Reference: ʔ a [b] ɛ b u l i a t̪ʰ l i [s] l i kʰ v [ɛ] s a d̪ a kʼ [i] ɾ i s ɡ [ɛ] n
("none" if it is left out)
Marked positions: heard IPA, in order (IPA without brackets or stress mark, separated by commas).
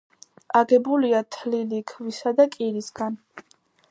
ɡ, none, i, i, a